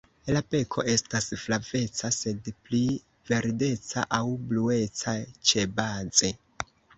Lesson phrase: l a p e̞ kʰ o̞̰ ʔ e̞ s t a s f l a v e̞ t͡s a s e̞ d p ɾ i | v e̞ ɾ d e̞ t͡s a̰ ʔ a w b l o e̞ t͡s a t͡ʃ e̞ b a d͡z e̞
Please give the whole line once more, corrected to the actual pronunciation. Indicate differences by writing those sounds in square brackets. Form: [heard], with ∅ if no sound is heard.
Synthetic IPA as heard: l a p e̞ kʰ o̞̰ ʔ e̞ s t a s f l a v e̞ t͡s a s e̞ d p [l] i | v e̞ ɾ d e̞ t͡s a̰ ʔ a w b l [u] e̞ t͡s a t͡ʃ e̞ b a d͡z e̞